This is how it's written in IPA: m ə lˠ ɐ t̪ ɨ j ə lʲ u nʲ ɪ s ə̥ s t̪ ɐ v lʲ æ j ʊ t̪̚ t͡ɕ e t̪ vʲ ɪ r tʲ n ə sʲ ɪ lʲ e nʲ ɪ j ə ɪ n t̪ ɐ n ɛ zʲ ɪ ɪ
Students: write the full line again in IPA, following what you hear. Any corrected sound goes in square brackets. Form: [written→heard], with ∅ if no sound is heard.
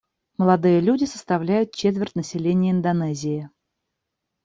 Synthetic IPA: m ə lˠ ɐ [t̪→d̪] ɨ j ə lʲ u [nʲ→dʲ] ɪ s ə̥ s t̪ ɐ v lʲ æ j ʊ t̪̚ t͡ɕ e t̪ vʲ ɪ r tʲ n ə sʲ ɪ lʲ e nʲ ɪ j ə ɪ n [t̪→d̪] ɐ n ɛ zʲ ɪ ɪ

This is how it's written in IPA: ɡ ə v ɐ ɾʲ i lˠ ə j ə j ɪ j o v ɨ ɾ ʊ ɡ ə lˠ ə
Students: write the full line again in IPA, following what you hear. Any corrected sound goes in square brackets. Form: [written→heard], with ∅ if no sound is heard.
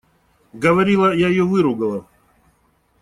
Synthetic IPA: ɡ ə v ɐ ɾʲ i lˠ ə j [ə→a] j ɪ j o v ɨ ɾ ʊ ɡ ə lˠ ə

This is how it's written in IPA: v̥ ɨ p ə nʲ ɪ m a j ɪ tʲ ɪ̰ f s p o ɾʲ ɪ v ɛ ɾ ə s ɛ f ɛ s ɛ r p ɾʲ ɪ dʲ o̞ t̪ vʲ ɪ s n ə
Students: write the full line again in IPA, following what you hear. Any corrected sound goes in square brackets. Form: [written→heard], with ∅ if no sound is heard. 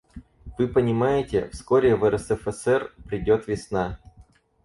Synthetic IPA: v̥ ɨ p ə nʲ ɪ m a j ɪ tʲ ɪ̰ f s [p→k] o ɾʲ ɪ v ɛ ɾ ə s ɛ f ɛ s ɛ r p ɾʲ ɪ dʲ o̞ t̪ vʲ ɪ s n [ə→a]

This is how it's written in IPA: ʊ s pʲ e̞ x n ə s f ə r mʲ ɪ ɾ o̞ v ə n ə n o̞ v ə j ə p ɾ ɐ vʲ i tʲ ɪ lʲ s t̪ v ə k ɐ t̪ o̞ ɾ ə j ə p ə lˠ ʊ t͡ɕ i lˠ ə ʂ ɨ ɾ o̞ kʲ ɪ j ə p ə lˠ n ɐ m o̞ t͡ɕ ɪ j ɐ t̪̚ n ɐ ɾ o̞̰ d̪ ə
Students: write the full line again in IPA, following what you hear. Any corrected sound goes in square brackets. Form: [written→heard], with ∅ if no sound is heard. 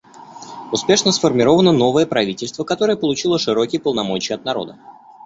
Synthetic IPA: ʊ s pʲ e̞ [x→ʂ] n ə s f ə r mʲ ɪ ɾ o̞ v ə n ə n o̞ v ə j ə p ɾ ɐ vʲ i tʲ ɪ lʲ s t̪ v ə k ɐ t̪ o̞ ɾ ə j ə p ə lˠ ʊ t͡ɕ i lˠ ə ʂ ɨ ɾ o̞ kʲ ɪ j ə p ə lˠ n ɐ m o̞ t͡ɕ ɪ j ɐ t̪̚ n ɐ ɾ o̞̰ d̪ ə

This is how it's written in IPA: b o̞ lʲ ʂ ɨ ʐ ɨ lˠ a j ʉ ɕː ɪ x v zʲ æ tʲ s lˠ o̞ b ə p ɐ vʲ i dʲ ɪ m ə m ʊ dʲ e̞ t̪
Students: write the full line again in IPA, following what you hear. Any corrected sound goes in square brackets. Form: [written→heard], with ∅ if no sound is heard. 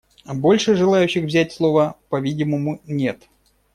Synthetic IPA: b o̞ lʲ ʂ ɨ ʐ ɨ lˠ a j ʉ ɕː ɪ x v zʲ æ tʲ s lˠ o̞ [b→v] ə p ɐ vʲ i dʲ ɪ m ə m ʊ [dʲ→nʲ] e̞ t̪

